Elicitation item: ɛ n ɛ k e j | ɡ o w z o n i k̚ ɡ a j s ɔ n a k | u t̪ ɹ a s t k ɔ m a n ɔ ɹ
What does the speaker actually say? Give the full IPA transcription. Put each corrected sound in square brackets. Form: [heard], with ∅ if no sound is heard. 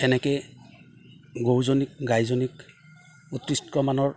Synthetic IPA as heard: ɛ n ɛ k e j | ɡ o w z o n i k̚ ɡ a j [z] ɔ n [i] k | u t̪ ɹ [i] s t k ɔ m a n ɔ ɹ